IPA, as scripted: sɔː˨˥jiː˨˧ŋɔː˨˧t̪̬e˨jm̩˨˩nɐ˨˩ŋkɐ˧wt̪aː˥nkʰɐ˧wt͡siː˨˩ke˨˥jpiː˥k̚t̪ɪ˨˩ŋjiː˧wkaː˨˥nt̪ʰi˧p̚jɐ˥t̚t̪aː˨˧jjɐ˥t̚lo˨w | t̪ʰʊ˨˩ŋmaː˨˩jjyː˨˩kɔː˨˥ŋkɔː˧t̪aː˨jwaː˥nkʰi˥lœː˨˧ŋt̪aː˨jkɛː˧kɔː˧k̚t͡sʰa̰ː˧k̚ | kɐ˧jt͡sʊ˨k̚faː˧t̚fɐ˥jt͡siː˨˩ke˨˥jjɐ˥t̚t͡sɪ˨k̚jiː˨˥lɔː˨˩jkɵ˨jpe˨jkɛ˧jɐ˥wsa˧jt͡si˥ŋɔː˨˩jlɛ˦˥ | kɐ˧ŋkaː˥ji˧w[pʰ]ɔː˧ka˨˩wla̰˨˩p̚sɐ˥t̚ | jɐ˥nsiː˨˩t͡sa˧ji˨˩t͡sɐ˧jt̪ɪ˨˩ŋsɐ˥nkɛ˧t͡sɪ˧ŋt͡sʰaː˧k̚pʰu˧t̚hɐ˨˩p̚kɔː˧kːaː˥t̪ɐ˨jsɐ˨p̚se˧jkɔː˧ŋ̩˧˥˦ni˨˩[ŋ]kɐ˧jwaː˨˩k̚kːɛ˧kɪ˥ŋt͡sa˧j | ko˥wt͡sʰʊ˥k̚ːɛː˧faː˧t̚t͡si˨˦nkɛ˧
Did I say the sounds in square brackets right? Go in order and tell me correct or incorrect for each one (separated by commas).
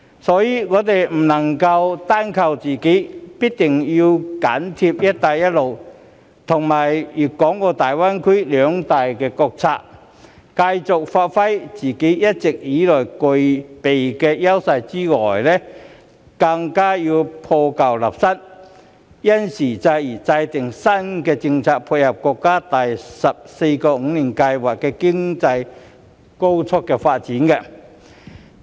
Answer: correct, incorrect